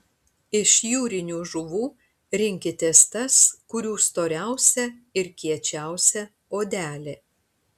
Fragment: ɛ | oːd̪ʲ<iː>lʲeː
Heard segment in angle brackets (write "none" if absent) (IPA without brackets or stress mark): æː